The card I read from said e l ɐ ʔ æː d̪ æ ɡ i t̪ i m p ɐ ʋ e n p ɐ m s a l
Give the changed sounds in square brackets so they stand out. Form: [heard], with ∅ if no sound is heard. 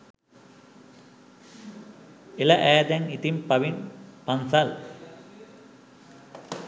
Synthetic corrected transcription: e l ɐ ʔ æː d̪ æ [ŋ] i t̪ i m p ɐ ʋ [i] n p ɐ [n] s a l